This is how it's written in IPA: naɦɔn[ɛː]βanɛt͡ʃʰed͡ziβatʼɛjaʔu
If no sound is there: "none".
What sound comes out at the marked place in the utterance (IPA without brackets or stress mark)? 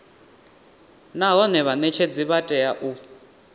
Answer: ɛ